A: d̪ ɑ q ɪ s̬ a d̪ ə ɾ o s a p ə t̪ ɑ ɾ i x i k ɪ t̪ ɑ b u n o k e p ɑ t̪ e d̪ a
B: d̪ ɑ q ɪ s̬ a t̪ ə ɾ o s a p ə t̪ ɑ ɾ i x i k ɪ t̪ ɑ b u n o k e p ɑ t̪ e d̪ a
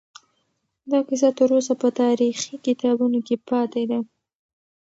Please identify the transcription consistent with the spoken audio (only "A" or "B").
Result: B